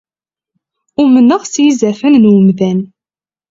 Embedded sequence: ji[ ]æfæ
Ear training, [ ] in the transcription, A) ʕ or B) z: B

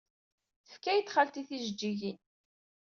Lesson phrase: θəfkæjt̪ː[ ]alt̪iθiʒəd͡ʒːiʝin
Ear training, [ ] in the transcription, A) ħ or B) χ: B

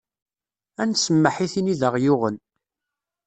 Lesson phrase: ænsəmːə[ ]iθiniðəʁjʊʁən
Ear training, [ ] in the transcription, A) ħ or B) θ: A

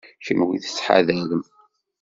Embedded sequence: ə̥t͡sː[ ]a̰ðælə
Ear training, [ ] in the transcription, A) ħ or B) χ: A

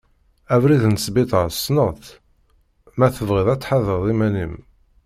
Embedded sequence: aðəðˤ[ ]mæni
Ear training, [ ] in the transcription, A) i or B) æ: A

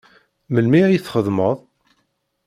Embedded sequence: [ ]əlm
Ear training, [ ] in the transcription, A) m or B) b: A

